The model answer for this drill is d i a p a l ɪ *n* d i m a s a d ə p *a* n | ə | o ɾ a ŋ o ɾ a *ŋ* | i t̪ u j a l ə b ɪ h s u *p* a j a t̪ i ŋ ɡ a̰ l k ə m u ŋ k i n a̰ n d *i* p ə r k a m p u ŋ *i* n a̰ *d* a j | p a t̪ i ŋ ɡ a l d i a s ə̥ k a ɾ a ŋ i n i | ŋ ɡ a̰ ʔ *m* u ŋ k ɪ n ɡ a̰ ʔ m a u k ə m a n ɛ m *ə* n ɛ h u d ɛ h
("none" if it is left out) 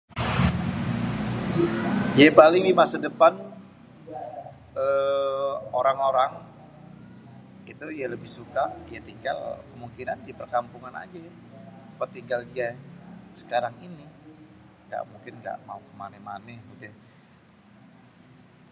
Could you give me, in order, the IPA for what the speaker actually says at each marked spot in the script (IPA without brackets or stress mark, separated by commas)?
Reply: ŋ, a, ŋ, k, i, a, d͡ʒ, m, a